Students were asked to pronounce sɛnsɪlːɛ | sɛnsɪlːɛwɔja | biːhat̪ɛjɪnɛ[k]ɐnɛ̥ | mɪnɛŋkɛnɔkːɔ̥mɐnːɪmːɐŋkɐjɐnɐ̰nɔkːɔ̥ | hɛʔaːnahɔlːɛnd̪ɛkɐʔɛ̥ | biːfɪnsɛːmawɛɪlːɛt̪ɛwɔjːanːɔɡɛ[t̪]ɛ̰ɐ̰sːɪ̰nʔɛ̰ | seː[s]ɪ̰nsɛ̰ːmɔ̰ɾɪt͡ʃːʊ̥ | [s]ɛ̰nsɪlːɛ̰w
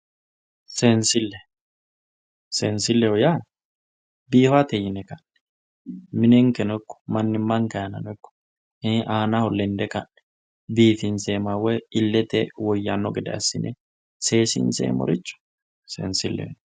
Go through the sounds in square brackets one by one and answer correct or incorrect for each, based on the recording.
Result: correct, incorrect: d̪, correct, correct

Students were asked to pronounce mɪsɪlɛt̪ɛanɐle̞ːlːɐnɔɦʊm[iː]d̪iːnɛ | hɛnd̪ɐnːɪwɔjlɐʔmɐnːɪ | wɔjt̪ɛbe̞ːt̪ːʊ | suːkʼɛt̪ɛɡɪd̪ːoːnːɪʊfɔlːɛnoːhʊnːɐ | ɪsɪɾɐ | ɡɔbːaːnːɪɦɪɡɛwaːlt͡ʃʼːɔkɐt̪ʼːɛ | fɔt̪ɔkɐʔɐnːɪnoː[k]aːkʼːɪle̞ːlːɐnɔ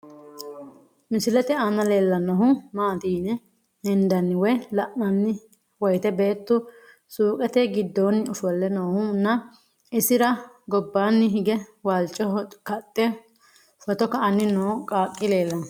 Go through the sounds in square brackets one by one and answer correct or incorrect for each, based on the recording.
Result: incorrect: aː, incorrect: kʼ

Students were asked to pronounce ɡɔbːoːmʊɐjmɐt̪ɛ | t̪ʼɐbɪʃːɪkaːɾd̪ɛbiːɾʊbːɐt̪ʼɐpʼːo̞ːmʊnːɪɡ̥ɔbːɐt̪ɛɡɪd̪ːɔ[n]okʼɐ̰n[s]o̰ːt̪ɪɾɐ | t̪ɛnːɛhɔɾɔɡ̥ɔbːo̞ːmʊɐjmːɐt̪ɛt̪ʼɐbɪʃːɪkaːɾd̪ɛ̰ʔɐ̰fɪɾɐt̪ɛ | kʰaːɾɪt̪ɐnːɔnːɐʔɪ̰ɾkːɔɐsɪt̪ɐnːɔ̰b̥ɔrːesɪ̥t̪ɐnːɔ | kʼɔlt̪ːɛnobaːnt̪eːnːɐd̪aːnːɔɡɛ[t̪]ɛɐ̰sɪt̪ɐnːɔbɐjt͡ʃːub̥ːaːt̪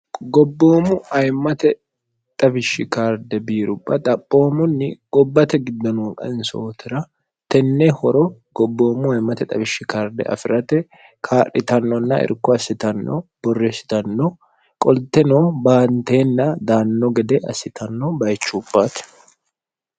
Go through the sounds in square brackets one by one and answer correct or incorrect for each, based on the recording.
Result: correct, correct, incorrect: d̪

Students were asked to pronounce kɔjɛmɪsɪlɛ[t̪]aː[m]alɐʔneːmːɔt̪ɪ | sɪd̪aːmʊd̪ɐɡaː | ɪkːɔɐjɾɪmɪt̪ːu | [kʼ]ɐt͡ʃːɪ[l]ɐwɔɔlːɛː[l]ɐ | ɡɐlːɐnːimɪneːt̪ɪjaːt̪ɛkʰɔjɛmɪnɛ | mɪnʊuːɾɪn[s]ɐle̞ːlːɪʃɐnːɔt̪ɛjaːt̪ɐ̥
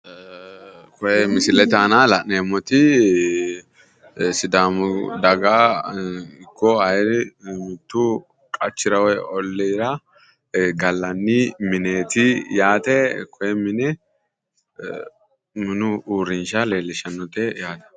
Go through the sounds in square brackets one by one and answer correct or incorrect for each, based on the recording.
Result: correct, incorrect: n, correct, incorrect: ɾ, incorrect: ɾ, incorrect: ʃ

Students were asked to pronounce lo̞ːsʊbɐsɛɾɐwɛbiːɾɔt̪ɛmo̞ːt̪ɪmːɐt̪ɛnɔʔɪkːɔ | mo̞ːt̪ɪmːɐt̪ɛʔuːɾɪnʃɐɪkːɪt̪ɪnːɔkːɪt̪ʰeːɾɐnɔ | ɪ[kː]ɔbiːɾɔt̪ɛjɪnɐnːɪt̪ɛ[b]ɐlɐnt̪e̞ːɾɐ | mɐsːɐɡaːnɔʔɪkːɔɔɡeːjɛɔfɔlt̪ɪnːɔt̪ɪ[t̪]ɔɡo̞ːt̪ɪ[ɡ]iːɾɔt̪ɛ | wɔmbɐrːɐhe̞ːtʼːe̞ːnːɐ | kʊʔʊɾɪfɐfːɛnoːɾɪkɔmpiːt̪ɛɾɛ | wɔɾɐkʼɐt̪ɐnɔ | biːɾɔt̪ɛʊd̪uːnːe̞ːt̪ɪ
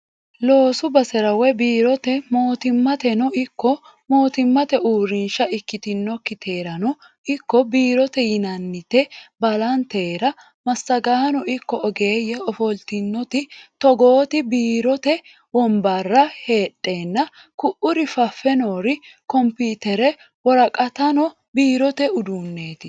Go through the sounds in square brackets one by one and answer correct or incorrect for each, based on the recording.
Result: correct, correct, correct, incorrect: b

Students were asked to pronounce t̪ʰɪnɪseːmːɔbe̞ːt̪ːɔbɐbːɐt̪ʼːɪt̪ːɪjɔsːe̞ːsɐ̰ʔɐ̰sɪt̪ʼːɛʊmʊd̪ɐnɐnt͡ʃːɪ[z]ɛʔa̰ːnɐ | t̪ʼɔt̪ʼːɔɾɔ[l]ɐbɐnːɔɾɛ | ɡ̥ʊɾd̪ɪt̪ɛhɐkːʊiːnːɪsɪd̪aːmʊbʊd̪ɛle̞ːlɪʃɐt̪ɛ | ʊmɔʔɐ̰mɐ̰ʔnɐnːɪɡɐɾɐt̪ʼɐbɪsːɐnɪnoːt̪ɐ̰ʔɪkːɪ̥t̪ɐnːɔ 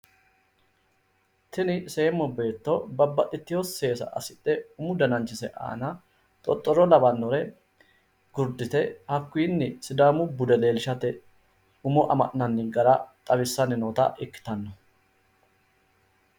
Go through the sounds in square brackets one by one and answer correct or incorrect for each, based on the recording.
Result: incorrect: s, correct

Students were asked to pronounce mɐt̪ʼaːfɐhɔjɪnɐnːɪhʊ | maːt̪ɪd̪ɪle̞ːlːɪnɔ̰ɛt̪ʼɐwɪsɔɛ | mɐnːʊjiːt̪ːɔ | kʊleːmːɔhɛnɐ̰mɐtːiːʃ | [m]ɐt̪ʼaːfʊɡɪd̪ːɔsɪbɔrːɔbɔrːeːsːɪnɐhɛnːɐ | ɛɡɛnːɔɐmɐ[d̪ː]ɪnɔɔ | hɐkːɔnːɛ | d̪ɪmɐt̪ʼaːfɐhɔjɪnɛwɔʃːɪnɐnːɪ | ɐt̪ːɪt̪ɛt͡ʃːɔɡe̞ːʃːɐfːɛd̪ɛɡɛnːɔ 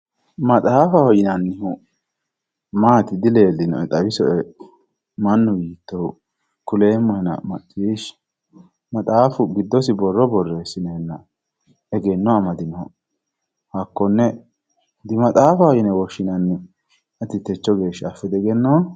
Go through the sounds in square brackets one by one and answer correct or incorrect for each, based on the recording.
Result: correct, incorrect: d̪

